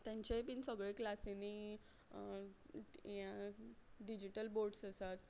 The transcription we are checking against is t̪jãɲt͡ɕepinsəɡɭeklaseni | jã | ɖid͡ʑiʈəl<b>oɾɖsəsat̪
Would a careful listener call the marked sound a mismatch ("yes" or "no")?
no